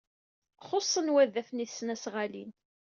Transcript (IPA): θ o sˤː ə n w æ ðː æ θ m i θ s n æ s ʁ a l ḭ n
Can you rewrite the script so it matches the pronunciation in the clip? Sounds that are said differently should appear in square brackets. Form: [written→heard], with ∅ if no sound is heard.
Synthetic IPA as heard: [θ→χ] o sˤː ə n w æ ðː æ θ [m→n] i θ s n æ s ʁ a l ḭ n